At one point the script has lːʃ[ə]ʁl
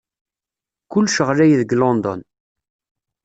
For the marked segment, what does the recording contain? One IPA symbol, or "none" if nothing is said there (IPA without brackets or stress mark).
ə